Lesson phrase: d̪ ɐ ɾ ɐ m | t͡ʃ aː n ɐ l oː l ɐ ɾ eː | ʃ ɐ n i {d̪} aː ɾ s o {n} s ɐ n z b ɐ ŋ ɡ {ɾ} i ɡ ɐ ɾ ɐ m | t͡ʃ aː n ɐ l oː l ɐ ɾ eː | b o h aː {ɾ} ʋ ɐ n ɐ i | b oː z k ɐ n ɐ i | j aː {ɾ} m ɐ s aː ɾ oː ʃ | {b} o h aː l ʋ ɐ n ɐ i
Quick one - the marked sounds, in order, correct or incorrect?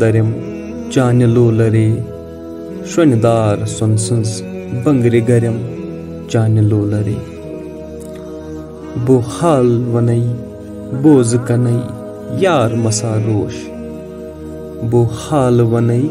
correct, correct, correct, incorrect: l, correct, correct

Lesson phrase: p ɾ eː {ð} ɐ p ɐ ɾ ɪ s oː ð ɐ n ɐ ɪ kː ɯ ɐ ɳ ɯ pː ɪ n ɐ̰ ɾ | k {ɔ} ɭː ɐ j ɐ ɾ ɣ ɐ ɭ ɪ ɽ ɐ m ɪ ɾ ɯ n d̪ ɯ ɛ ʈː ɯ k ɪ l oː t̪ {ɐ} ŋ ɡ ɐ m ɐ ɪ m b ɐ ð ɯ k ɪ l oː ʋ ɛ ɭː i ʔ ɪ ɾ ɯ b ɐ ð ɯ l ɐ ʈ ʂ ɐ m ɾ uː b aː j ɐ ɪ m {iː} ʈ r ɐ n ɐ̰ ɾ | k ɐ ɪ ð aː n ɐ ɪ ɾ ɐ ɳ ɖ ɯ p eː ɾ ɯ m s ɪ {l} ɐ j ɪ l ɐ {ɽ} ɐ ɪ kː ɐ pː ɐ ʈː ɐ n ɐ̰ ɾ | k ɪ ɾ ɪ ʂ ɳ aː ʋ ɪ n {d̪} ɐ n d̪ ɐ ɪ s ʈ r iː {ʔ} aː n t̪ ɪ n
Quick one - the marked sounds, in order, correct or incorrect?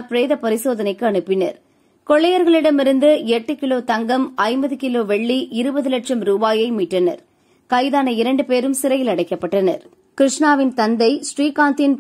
correct, correct, correct, correct, incorrect: ɾ, correct, incorrect: t̪, incorrect: k

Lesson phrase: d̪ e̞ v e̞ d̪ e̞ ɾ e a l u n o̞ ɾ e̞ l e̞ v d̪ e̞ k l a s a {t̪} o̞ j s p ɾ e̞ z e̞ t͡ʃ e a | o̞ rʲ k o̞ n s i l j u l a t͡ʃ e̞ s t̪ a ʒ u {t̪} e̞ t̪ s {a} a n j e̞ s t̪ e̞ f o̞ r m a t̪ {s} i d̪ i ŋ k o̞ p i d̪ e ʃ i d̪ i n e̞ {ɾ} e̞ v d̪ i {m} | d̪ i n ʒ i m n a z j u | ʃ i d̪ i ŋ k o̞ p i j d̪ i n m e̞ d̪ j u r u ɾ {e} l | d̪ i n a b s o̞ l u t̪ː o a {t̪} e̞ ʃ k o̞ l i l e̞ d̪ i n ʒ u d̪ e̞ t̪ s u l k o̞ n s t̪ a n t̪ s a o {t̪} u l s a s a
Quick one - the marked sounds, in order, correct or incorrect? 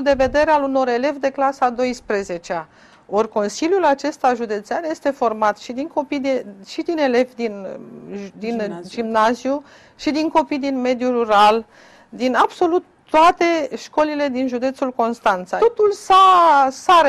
incorrect: d̪, incorrect: d̪, incorrect: e, incorrect: ʃ, incorrect: l, incorrect: n, incorrect: a, correct, correct

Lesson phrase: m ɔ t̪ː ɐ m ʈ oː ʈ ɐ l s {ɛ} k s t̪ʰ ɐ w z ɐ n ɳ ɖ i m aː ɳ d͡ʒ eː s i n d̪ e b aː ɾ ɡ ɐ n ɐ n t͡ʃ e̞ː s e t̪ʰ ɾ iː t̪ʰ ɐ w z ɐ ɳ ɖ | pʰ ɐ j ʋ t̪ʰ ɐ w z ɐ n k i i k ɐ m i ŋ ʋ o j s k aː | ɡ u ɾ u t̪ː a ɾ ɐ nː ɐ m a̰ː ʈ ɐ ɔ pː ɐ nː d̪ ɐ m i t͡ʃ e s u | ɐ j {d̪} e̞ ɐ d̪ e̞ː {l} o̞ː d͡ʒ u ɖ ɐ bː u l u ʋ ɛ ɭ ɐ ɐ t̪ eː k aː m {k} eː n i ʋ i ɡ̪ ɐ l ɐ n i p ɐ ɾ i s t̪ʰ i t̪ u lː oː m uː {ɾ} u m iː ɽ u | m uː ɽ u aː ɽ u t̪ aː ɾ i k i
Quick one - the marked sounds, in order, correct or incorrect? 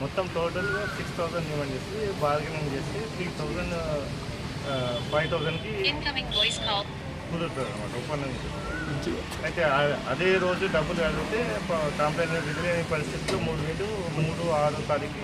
incorrect: i, incorrect: t̪, incorrect: ɾ, incorrect: p, incorrect: ɽ

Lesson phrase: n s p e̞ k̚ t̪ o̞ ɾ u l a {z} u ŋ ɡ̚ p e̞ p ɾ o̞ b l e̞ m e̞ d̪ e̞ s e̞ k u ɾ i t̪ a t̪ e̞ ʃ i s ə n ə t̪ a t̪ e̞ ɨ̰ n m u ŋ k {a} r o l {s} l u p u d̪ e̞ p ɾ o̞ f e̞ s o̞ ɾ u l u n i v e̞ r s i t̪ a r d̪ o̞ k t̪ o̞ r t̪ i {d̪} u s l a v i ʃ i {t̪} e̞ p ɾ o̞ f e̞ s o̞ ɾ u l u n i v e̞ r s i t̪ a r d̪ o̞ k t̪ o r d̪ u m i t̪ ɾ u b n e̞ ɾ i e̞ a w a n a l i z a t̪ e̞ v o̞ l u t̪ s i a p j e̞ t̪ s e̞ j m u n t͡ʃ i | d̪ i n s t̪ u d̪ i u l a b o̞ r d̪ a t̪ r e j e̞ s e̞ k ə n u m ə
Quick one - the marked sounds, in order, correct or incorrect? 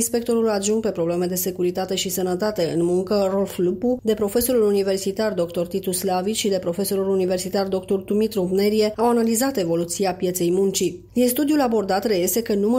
incorrect: ʒ, incorrect: ə, incorrect: f, incorrect: t̪, incorrect: d̪

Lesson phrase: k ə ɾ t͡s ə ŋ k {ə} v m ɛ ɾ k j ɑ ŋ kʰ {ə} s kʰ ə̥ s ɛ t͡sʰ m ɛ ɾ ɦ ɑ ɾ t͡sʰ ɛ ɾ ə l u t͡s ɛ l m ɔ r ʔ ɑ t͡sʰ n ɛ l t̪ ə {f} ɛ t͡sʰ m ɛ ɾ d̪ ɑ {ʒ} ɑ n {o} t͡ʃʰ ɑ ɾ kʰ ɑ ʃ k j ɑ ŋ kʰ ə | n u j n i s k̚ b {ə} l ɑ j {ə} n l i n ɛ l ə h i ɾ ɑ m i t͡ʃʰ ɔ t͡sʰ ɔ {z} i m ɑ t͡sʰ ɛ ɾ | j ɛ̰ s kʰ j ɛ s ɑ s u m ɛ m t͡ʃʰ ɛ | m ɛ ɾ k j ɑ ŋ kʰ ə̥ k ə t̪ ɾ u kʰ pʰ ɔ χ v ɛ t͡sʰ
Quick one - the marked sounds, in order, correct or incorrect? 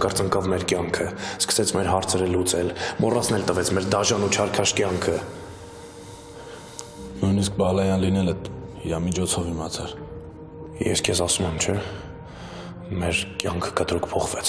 incorrect: ɑ, correct, incorrect: v, correct, incorrect: u, incorrect: ɑ, incorrect: ɑ, incorrect: v

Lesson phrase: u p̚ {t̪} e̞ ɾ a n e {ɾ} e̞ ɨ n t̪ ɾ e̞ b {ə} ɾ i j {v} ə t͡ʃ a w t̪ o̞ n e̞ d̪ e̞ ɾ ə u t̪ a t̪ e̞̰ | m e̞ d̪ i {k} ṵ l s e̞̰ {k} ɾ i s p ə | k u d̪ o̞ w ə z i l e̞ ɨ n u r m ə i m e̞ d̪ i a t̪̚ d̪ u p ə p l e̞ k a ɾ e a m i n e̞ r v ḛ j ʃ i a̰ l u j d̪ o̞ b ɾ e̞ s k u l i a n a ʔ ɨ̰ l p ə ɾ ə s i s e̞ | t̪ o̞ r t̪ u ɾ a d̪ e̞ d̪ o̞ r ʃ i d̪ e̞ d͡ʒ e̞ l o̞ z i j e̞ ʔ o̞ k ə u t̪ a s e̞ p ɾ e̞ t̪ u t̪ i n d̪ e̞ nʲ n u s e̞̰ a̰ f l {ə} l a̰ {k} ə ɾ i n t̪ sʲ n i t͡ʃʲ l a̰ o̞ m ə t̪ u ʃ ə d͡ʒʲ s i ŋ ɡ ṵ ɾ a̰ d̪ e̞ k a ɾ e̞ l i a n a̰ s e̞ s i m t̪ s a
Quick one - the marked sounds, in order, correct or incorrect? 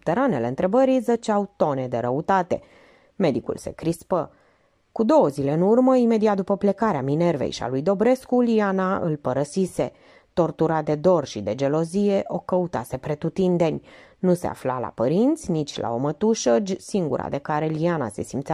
correct, incorrect: l, correct, incorrect: z, correct, correct, incorrect: a, incorrect: p

